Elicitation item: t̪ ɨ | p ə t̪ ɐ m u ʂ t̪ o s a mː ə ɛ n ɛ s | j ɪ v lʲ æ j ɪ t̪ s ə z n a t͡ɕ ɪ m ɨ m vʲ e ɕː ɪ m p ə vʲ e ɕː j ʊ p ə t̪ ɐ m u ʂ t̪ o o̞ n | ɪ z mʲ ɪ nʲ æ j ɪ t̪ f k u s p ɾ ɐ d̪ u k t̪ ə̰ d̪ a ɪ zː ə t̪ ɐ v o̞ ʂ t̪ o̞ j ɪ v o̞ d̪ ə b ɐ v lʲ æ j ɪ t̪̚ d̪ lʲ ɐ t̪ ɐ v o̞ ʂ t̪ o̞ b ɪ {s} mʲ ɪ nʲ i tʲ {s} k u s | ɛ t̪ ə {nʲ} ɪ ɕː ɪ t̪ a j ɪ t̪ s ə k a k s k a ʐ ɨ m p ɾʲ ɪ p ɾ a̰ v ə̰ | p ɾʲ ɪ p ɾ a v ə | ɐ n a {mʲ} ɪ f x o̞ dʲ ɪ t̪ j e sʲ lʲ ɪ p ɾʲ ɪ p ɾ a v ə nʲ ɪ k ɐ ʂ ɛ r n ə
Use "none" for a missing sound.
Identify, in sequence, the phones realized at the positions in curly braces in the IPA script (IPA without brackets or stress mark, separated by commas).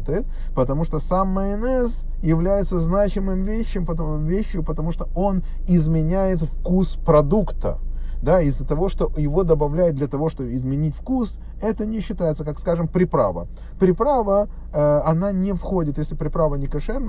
z, f, nʲ, nʲ